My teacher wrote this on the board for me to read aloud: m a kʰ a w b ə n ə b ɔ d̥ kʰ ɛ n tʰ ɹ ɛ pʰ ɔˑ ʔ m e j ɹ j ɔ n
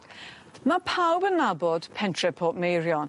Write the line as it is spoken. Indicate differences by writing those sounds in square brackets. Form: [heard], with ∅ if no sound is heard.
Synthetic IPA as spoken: m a [pʰ] a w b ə n [a] b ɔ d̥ [pʰ] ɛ n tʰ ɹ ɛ pʰ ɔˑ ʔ m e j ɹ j ɔ n